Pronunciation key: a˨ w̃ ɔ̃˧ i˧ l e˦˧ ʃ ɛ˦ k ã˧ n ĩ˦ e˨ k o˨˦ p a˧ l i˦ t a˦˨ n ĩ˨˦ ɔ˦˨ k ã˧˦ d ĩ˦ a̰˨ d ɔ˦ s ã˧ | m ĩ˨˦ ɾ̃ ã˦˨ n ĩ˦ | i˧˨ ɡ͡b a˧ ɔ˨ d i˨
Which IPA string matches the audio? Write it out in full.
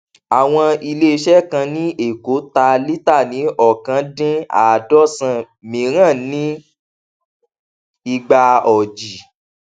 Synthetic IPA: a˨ w̃ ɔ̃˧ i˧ l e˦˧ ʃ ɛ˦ k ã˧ n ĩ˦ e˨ k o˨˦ t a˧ l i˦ t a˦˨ n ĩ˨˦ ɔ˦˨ k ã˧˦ d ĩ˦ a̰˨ d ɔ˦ s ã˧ | m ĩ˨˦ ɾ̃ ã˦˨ n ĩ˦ | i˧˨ ɡ͡b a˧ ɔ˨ d͡ʒ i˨